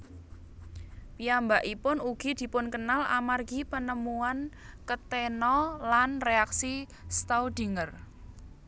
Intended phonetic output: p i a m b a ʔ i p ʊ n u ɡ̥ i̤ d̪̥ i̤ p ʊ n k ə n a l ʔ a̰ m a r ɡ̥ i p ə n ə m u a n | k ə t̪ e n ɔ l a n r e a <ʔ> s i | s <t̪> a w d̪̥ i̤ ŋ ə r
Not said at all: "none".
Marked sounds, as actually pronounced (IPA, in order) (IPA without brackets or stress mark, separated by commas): k, t̪